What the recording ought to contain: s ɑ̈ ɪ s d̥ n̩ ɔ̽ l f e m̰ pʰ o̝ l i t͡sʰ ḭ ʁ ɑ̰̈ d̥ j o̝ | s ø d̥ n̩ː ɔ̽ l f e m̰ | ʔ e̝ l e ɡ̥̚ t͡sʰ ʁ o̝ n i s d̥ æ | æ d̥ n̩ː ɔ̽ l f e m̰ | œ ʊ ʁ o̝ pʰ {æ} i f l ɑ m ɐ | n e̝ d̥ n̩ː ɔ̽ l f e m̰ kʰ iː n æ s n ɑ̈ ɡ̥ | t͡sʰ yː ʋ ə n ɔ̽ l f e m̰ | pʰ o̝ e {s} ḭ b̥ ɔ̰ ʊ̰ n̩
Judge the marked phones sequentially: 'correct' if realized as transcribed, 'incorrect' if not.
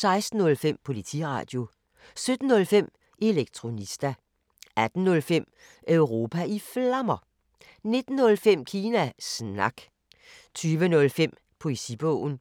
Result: correct, correct

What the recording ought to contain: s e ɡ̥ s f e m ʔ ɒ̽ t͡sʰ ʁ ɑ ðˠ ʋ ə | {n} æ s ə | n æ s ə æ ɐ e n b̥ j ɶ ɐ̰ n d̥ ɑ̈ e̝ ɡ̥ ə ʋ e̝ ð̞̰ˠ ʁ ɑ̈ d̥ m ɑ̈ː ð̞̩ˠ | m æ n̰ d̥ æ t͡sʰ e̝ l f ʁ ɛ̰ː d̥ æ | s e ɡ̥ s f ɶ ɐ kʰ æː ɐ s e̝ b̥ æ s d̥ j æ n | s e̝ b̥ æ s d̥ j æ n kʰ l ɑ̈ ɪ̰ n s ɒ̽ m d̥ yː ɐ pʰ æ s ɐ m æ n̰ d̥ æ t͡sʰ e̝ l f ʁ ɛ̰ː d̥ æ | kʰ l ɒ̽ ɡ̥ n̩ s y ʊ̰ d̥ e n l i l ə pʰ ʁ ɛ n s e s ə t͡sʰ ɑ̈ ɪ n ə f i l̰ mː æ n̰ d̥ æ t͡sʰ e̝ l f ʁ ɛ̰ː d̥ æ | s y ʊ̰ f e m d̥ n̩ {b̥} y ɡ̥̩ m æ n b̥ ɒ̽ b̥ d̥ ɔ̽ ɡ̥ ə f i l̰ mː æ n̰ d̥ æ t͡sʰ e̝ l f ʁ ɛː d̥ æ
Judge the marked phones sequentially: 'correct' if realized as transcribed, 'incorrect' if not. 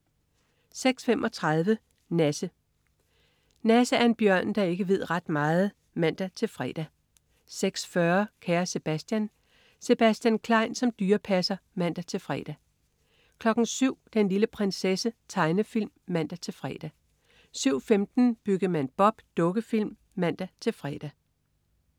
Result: correct, correct

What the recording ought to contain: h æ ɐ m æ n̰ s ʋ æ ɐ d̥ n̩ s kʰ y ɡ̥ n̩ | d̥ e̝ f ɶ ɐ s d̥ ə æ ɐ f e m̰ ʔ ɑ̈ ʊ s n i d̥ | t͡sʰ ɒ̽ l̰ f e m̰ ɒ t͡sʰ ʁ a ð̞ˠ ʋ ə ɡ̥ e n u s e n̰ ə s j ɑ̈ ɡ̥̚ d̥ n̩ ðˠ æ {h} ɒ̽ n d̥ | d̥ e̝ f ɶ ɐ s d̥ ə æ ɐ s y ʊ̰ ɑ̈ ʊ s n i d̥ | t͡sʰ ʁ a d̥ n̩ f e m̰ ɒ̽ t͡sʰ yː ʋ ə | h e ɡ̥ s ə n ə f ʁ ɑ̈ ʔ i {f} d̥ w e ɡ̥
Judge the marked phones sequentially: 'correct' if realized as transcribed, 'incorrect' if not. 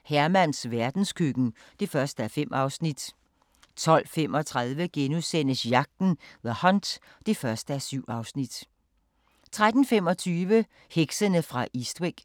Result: correct, incorrect

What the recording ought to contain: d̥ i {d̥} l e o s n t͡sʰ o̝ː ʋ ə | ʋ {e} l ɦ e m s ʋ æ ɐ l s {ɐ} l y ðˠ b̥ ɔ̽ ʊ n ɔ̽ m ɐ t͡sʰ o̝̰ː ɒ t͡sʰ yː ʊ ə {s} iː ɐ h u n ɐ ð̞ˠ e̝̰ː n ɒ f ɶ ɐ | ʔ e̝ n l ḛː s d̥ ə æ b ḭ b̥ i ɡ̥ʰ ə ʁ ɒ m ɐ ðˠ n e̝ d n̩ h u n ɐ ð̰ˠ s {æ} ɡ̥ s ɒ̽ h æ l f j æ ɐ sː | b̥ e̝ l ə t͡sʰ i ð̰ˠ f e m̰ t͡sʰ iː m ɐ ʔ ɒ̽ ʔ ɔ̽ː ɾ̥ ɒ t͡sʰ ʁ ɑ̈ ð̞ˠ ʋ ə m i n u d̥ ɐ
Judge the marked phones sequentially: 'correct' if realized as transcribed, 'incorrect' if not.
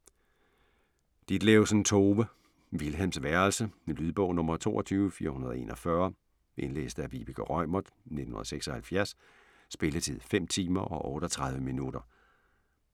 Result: correct, incorrect, incorrect, incorrect, incorrect

